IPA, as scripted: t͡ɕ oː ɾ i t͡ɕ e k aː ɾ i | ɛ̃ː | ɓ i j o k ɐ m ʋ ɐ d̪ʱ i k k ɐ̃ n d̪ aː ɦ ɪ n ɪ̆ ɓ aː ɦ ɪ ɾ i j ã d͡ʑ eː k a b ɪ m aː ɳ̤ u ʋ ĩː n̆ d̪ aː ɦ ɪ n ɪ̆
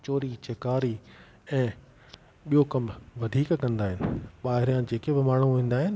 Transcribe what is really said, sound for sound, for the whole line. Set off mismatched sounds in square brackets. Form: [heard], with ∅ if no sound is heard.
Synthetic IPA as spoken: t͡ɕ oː ɾ i t͡ɕ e k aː ɾ i | ɛ̃ː | ɓ i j o k ɐ m ʋ ɐ d̪ʱ [iː] k k ɐ̃ n d̪ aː ɦ ɪ n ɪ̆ ɓ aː ɦ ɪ ɾ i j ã d͡ʑ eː k [e] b ɪ m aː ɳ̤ u ʋ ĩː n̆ d̪ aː ɦ ɪ n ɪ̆